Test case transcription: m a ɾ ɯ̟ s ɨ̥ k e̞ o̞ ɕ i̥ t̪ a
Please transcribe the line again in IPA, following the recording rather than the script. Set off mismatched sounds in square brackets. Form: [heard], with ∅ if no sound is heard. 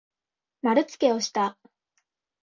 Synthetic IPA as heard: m a ɾ ɯ̟ [t͡s] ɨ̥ k e̞ o̞ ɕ i̥ t̪ a